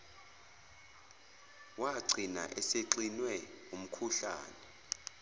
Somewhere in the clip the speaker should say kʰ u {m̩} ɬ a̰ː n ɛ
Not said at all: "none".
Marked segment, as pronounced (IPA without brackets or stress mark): none